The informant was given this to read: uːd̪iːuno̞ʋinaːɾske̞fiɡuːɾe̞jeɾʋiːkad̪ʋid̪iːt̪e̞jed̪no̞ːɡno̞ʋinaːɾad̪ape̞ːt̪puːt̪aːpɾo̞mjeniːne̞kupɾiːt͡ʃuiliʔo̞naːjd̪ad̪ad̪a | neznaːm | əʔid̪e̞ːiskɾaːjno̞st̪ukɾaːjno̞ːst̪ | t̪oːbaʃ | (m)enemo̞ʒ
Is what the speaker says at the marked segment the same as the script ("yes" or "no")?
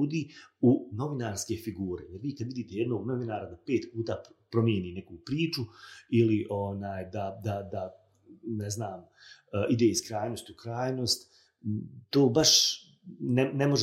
no